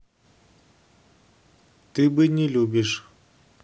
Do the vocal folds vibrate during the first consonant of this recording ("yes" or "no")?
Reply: no